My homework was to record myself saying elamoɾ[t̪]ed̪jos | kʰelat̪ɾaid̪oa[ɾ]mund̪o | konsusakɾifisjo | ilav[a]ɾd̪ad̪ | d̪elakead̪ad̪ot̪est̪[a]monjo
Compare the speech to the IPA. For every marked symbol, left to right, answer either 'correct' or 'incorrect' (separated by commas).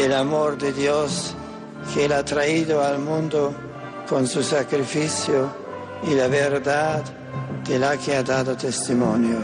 incorrect, incorrect, incorrect, incorrect